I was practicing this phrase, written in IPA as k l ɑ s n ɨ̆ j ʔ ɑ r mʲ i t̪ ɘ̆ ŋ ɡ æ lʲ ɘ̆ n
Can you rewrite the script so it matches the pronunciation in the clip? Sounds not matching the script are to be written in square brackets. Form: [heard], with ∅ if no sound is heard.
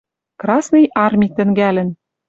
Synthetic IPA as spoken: k [r] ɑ s n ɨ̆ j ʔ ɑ r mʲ i t̪ ɘ̆ ŋ ɡ æ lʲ ɘ̆ n